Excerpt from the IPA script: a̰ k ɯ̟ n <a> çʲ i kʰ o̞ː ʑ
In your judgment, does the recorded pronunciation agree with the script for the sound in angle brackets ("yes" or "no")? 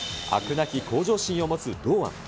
yes